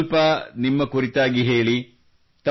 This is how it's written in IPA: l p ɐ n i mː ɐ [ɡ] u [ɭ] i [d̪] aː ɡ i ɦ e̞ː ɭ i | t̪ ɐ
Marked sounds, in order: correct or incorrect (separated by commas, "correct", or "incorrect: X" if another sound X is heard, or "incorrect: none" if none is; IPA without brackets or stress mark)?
incorrect: k, incorrect: ɾ, incorrect: t̪